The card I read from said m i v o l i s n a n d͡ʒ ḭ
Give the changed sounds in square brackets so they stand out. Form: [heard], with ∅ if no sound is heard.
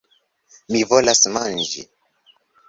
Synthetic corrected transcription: m i v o l [a] s [m] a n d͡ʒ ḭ

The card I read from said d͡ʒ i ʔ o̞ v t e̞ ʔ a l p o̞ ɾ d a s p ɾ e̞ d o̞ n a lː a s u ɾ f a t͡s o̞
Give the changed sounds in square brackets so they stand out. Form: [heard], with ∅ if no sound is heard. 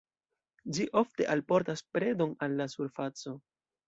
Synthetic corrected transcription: d͡ʒ i ʔ o̞ [f] t e̞ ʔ a l p o̞ ɾ [t] a s p ɾ e̞ d o̞ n a lː a s u ɾ f a t͡s o̞

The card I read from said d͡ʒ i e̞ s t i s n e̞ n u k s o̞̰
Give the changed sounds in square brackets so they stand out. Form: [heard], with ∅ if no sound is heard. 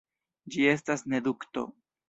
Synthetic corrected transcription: d͡ʒ i e̞ s t [a] s n e̞ [d] u k [t] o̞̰

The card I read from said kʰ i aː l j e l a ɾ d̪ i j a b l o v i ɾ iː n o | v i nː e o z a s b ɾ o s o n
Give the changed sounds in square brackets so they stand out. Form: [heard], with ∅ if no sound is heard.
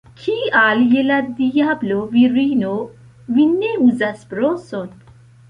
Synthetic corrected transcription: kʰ i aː l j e l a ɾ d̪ i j a b l o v i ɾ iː n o | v i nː e [u] z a s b ɾ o s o n

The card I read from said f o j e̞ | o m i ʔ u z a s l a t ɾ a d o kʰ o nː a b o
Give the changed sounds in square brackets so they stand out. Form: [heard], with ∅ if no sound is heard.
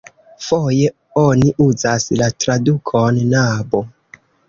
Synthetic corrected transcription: f o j e̞ | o [n] i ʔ u z a s l a t ɾ a d [u] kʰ o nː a b o

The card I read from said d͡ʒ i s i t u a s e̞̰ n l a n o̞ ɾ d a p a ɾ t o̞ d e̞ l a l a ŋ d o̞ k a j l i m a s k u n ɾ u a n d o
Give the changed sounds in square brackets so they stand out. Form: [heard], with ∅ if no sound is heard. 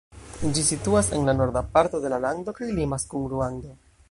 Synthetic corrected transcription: d͡ʒ i s i t u a s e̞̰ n l a n o̞ ɾ d a p a ɾ t o̞ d e̞ l a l a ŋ d o̞ k a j l i m a s k u n ɾ u a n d o

